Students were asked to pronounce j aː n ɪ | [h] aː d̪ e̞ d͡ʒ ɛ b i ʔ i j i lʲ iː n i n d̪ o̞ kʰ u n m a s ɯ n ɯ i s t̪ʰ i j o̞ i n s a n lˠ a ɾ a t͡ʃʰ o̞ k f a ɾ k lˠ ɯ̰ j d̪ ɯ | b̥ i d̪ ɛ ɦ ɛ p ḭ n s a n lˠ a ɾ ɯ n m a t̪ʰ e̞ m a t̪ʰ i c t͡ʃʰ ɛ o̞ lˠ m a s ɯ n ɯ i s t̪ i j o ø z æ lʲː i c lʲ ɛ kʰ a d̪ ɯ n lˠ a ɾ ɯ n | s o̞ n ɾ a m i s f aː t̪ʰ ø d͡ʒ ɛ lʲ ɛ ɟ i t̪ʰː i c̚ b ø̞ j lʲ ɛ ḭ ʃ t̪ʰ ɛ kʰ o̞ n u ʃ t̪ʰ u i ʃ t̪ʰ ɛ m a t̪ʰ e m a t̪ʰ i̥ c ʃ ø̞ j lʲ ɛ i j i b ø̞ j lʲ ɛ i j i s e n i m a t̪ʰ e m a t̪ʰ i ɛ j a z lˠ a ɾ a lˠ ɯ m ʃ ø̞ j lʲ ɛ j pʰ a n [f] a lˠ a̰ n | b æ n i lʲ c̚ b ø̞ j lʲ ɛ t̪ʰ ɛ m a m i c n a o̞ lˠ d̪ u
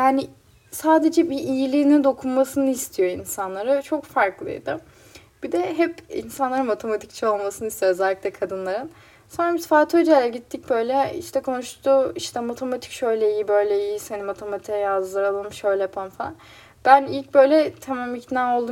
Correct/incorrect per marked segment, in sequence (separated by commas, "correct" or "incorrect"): incorrect, correct